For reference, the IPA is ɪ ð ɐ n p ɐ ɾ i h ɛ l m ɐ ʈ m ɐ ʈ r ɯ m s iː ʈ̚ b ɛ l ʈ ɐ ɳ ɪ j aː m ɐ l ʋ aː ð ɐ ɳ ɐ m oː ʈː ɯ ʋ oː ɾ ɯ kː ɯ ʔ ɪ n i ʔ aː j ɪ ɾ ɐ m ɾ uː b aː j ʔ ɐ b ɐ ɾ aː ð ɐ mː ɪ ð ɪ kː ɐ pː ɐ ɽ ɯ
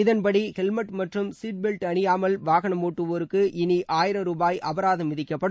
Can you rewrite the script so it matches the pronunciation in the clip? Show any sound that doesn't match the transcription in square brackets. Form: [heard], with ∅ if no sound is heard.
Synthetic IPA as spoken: ɪ ð ɐ n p ɐ [ɽ] i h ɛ l m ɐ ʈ m ɐ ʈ r ɯ m s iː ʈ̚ b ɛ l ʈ ɐ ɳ ɪ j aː m ɐ l ʋ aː [ɣ] ɐ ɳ ɐ m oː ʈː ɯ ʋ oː ɾ ɯ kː ɯ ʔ ɪ n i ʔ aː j ɪ ɾ ɐ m ɾ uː b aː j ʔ ɐ b ɐ ɾ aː ð ɐ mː ɪ ð ɪ kː ɐ pː ɐ ɽ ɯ